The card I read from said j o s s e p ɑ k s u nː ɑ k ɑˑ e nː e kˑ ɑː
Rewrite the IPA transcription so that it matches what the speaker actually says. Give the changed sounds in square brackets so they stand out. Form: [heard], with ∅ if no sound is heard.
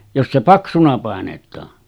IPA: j o s s e p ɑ k s u [n] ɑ [p] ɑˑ e [n] e [tˑ] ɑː

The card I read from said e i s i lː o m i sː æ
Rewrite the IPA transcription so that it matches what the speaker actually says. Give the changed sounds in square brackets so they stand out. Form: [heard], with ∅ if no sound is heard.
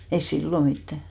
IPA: e i s i lː o m i [tː] æ

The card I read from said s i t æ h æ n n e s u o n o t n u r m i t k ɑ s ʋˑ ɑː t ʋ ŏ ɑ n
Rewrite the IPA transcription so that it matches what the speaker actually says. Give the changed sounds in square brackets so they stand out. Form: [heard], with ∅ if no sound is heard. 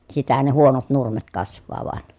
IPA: s i t æ h æ n n e [h] u o n o t n u r m [e] t k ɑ s ʋˑ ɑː [∅] ʋ ŏ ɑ n

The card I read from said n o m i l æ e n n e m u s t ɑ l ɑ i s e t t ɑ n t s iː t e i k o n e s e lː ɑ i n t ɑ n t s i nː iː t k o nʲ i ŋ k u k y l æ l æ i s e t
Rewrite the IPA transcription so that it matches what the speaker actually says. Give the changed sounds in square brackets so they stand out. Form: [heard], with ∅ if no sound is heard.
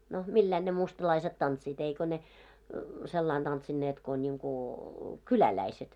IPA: n o m i [lː] æ [i] n n e m u s t ɑ l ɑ i s e t t ɑ n t s iː t e i k o n e s e lː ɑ i n t ɑ n t s i nː [eː] t k o nʲ i ŋ k u k y l æ l æ i s e t

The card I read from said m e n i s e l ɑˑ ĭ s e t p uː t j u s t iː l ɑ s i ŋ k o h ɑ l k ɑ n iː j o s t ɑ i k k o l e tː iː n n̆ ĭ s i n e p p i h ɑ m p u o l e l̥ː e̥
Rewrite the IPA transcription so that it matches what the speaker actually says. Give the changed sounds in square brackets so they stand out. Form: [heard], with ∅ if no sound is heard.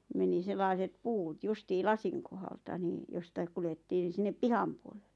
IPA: m e n i s e [lː] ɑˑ ĭ s e t p uː t j u s t iː l ɑ s i ŋ k o h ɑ l [t] ɑ n iː j o s t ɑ i k k [u] l e tː iː n n̆ ĭ s i [nː] e p p i h ɑ m p u o l e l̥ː e̥

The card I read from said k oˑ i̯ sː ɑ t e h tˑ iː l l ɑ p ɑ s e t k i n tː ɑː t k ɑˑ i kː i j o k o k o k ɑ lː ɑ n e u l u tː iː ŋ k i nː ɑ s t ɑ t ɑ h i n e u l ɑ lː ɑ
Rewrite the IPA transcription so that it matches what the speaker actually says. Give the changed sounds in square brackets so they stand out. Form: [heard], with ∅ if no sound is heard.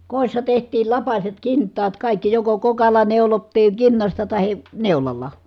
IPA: k oˑ i̯ sː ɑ t e h tˑ iː l l ɑ p ɑ s e t k i n tː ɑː t k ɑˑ i kː i j o k o k o k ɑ lː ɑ n e u l [o] tː iː ŋ k i nː ɑ s t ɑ t ɑ h i n e u l ɑ lː ɑ

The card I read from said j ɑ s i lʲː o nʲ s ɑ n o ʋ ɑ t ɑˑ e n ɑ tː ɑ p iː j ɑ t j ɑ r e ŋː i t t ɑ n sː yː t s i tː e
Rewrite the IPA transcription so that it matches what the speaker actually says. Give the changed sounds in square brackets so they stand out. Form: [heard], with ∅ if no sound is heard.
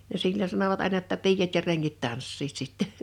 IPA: j ɑ s i lʲː o nʲ s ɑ n o ʋ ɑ t ɑˑ e n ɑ tː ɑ p iː j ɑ t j ɑ r e ŋː i t t ɑ n sː [iː] t s i tː e

